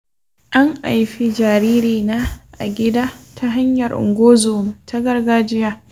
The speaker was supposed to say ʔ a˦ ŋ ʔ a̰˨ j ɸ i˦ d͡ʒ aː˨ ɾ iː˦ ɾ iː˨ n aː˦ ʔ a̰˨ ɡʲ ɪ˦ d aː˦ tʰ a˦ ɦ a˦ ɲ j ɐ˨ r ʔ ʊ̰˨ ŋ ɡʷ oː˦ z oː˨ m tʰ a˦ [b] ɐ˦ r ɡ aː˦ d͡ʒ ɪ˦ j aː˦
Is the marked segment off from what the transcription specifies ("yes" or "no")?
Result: yes